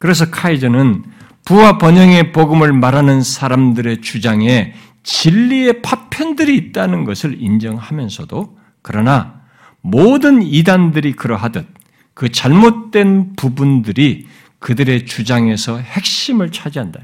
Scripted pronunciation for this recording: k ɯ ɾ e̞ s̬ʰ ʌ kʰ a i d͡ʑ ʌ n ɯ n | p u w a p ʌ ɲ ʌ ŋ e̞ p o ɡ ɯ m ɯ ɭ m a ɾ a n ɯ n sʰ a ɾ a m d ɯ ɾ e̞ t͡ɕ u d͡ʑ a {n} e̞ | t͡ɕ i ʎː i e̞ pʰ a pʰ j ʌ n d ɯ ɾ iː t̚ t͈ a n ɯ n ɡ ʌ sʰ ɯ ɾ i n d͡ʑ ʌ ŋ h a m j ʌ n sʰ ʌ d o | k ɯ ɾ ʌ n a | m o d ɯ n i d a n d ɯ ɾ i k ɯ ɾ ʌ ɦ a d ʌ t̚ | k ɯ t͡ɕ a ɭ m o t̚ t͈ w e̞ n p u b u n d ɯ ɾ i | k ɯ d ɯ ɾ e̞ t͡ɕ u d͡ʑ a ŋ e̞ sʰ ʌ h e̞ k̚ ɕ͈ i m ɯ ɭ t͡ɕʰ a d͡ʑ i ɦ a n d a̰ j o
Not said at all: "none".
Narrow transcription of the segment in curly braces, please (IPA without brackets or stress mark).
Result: ŋ